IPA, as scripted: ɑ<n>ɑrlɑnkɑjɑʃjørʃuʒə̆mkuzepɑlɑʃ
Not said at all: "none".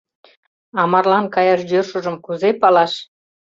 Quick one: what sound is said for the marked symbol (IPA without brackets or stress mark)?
m